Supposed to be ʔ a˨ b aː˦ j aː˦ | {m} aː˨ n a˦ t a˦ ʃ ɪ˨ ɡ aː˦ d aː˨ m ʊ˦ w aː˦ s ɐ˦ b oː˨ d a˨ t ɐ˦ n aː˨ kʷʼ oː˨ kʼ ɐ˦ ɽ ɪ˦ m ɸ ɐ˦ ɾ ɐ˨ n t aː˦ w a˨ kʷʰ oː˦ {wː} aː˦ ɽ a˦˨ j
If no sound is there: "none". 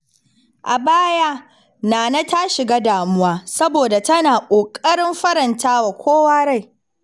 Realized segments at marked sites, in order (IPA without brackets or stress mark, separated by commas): n, w